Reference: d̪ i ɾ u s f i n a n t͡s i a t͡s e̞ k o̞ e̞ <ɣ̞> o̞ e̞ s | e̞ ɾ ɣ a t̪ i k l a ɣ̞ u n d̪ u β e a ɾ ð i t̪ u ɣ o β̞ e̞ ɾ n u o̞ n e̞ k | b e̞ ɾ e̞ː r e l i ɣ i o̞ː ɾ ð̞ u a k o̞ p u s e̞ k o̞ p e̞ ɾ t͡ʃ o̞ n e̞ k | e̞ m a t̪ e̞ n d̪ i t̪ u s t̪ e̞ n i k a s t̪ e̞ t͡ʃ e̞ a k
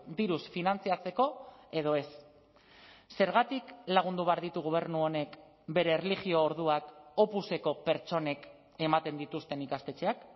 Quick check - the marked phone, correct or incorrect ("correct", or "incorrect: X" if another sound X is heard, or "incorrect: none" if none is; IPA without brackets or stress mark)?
incorrect: ð̞